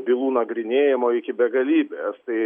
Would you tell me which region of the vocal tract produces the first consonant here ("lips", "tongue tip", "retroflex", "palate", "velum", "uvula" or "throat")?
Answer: lips